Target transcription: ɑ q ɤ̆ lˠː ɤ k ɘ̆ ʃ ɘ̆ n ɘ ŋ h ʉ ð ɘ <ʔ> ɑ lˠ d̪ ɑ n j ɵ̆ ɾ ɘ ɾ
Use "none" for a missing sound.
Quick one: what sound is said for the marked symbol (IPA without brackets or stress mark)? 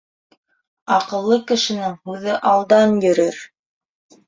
ʔ